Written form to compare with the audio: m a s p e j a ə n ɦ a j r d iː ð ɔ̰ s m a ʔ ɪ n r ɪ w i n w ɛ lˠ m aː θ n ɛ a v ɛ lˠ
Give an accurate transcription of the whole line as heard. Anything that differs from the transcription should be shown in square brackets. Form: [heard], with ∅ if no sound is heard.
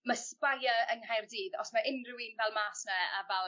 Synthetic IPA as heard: m a s p [a] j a ə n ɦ a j r d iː ð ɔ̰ s m a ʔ ɪ n r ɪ w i n [v] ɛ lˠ m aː [s] n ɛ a v ɛ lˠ